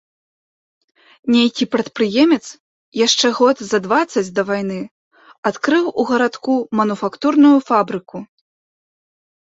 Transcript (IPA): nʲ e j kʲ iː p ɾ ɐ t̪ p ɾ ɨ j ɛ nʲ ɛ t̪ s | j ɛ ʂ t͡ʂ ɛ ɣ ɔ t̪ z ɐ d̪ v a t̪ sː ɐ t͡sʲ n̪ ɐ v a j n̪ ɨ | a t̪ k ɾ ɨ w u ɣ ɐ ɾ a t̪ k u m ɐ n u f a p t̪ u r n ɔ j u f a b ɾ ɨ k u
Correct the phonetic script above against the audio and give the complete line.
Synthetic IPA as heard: nʲ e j kʲ i p ɾ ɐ t̪ p ɾ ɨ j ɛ mʲ ɛ t̪ s | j a ʂ t͡ʂ ɛ ɣ ɔ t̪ z ɐ d̪ v a t̪ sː ɐ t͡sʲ d̪ ɐ v a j n̪ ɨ | a t̪ k ɾ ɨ w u ɣ ɐ ɾ a t̪ k u m ɐ n u f a k t̪ u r n u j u f a b ɾ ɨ k u

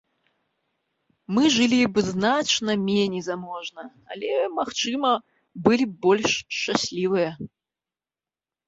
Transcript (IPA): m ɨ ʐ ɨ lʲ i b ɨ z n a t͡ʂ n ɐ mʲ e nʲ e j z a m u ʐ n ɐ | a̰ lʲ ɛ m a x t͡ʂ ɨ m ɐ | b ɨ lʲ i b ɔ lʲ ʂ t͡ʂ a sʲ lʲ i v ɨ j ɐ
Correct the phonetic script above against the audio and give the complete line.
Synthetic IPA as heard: m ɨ ʐ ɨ lʲ i b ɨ z n a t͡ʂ n ɐ mʲ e nʲ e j z a m ɔ ʐ n ɐ | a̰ lʲ ɛ m a x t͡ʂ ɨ m ɐ | b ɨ lʲ i b ɔ lʲ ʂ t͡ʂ a sʲ lʲ i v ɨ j ɐ

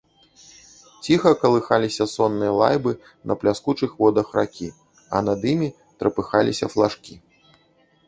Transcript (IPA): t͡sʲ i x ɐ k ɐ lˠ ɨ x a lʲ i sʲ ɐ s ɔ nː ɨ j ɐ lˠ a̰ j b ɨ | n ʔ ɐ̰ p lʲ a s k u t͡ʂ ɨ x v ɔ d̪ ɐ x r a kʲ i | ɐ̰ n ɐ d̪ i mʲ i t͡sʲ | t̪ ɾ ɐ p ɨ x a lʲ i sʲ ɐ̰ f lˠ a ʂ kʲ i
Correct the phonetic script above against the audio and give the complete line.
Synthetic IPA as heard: t͡sʲ i x ɐ k ɐ lˠ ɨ x a lʲ i sʲ ɐ s ɔ nː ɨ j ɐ lˠ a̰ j b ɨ | n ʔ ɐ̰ p lʲ a s k u t͡ʂ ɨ x v ɔ d̪ ɐ x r a kʲ i | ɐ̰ n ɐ d̪ i mʲ i | t̪ ɾ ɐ p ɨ x a lʲ i sʲ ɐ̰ f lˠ a ʂ kʲ i

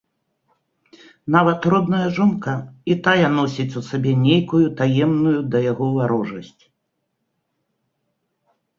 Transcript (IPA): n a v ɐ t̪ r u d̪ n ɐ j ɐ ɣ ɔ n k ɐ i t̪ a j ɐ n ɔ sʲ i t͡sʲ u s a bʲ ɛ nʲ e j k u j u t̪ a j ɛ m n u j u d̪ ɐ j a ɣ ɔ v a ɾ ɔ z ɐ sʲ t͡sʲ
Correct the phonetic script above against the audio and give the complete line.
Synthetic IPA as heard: n a v ɐ t̪ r ɔ d̪ n ɐ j ɐ ʐ ɔ n k ɐ i t̪ a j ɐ n ɔ sʲ i t͡sʲ u s a bʲ ɛ nʲ e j k u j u t̪ a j ɛ m n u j u d̪ ɐ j a ɣ ɔ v a ɾ ɔ ʐ ɐ sʲ t͡sʲ

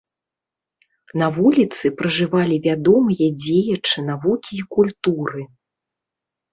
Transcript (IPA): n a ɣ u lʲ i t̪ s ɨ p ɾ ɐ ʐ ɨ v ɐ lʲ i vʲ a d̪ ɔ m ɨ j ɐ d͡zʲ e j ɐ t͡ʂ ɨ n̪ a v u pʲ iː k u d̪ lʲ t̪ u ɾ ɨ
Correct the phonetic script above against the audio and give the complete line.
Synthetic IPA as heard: n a v u lʲ i t̪ s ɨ p ɾ ɐ ʐ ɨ v a lʲ i vʲ a d̪ ɔ m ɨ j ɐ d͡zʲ e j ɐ t͡ʂ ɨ n̪ a v u kʲ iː k u lʲ t̪ u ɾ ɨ

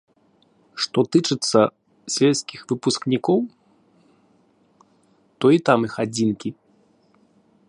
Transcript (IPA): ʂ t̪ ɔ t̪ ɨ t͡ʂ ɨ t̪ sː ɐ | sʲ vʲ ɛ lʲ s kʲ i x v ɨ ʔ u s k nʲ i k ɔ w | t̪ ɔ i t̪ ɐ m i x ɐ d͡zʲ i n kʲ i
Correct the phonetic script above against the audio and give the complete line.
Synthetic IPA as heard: ʂ t̪ ɔ t̪ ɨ t͡ʂ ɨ t̪ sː ɐ | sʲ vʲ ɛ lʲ s kʲ i x v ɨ p u s k nʲ i k ɔ w | t̪ ɔ i t̪ a m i x a d͡zʲ i n kʲ i

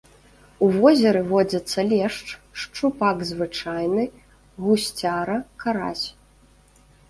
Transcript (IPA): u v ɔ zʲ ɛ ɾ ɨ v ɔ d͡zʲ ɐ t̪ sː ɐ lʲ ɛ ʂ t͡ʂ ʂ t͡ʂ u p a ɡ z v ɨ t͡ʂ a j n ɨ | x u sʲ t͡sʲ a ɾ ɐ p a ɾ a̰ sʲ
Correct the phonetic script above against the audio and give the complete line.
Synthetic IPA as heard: u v ɔ zʲ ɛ ɾ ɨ v ɔ d͡zʲ ɐ t̪ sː ɐ lʲ ɛ ʂ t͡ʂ ʂ t͡ʂ u p a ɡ z v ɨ t͡ʂ a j n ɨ | ɣ u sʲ t͡sʲ a ɾ ɐ k a ɾ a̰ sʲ

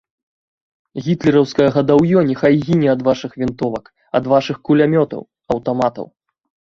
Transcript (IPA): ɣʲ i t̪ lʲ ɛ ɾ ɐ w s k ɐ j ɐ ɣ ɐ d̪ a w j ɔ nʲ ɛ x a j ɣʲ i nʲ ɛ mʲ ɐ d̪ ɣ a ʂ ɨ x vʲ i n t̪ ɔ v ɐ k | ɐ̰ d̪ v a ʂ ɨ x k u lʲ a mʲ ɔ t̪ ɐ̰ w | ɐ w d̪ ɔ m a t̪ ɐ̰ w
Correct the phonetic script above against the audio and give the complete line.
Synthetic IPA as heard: ɣʲ i t̪ lʲ ɛ ɾ ɐ w s k ɐ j ɐ ɣ ɐ d̪ a w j ɔ nʲ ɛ x a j ɣʲ i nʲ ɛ ɐ d̪ v a ʂ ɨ x vʲ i n t̪ ɔ v ɐ k | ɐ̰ d̪ v a ʂ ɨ x k u lʲ a mʲ ɔ t̪ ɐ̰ w | ɐ w t̪ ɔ m a t̪ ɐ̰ w

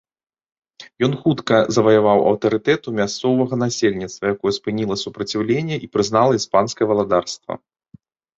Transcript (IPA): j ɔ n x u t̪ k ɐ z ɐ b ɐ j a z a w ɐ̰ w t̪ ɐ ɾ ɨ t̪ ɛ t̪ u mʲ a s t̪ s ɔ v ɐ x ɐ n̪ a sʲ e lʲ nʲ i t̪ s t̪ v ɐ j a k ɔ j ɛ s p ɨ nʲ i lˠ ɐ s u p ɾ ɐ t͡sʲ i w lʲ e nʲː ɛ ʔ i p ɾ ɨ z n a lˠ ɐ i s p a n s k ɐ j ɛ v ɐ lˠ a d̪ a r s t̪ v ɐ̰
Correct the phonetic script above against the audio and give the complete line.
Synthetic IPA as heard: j ɔ n x u t̪ k ɐ z ɐ v ɐ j a v a w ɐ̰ w t̪ ɐ ɾ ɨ t̪ ɛ t̪ u mʲ a s t̪ s ɔ v ɐ ɣ ɐ n̪ a sʲ e lʲ nʲ i t̪ s t̪ v ɐ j a k ɔ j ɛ s p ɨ nʲ i lˠ ɐ s u p ɾ ɐ t͡sʲ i w lʲ e nʲː ɛ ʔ i p ɾ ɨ z n a lˠ ɐ i s p a n s k ɐ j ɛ v ɐ lˠ a d̪ a r s t̪ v ɐ̰

